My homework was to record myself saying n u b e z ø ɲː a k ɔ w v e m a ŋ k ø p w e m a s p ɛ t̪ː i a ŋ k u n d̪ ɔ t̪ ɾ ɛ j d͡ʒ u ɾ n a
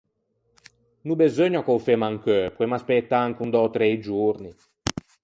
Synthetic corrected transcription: n u b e z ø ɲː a k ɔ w f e m a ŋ k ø p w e m a s p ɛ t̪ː a a ŋ k u n d̪ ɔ t̪ ɾ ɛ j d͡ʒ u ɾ n i